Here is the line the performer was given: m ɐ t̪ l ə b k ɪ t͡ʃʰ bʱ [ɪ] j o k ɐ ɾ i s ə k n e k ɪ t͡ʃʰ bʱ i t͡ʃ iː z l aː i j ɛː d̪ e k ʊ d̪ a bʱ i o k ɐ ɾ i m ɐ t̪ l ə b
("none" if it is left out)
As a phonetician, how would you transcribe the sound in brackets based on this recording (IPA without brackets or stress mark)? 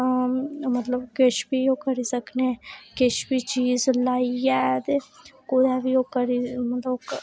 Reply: i